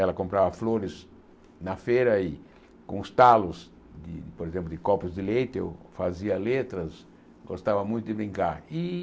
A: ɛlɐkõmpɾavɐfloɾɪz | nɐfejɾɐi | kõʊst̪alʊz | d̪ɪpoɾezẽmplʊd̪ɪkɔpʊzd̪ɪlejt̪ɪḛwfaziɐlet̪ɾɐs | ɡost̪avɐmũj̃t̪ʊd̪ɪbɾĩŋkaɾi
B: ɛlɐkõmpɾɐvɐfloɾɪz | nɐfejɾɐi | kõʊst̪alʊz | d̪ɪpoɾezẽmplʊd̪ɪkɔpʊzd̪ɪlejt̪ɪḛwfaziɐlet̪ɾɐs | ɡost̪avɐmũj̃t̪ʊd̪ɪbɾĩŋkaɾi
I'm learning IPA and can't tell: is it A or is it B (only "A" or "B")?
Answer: A